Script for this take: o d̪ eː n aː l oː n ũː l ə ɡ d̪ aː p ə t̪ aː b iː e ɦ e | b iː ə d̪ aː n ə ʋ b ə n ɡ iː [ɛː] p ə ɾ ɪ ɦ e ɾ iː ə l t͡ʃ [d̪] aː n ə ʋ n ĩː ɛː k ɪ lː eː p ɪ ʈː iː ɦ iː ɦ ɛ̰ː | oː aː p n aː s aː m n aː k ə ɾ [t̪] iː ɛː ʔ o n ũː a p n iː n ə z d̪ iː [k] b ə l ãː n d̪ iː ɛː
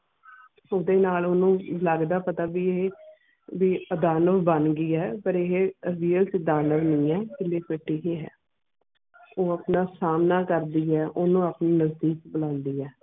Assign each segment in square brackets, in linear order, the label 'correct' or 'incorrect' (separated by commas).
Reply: correct, correct, incorrect, correct